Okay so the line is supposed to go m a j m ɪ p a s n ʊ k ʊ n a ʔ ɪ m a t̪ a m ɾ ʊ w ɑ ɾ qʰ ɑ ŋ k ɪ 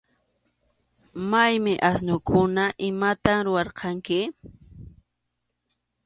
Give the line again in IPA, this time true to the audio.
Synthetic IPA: m a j m ɪ ʔ a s n ʊ k ʊ n a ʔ ɪ m a t̪ a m ɾ ʊ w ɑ ɾ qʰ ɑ ŋ k ɪ